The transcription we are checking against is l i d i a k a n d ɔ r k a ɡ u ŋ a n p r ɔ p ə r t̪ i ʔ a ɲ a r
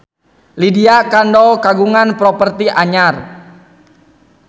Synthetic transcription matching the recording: l i d i a k a n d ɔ k a ɡ u ŋ a n p ɾ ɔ p ə r t̪ i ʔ a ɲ a r